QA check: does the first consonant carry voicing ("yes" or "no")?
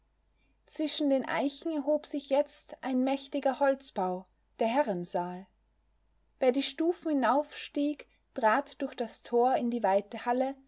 no